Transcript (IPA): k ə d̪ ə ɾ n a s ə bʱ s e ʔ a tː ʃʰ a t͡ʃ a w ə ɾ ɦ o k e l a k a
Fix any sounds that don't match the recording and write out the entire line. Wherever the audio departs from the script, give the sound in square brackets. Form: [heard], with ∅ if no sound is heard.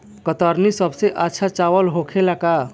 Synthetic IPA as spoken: k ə [t̪] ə ɾ n [i] s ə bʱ s e ʔ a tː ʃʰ a t͡ʃ a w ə [l] ɦ o [kʰ] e l a k a